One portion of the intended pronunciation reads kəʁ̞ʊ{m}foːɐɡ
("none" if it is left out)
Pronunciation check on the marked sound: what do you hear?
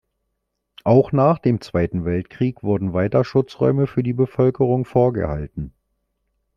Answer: ŋ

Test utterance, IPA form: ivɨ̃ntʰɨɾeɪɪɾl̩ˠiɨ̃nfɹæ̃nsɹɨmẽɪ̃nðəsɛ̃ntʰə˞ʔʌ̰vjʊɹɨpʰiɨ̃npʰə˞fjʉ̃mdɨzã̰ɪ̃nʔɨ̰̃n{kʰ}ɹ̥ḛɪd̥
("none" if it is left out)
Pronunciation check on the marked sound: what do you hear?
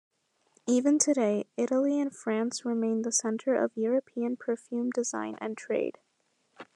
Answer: tʰ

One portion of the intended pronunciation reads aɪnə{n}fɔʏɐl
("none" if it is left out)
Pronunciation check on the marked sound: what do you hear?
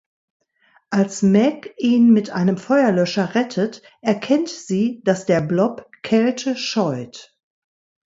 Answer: m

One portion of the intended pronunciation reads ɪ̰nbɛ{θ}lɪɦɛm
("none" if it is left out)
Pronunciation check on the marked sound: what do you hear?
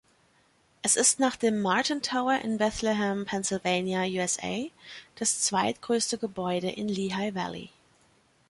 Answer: θ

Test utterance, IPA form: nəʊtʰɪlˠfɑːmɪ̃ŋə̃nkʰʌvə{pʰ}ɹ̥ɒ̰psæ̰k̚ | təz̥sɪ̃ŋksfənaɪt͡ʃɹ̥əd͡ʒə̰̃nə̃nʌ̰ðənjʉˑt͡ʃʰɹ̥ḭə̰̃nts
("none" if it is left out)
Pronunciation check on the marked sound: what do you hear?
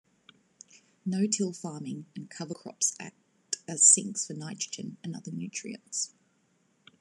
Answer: kʰ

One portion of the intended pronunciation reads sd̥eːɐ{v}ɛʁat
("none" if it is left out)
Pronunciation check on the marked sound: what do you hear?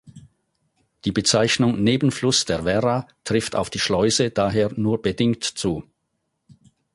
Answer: v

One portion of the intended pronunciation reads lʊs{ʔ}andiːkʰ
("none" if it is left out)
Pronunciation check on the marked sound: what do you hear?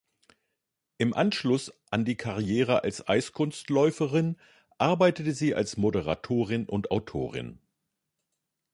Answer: ʔ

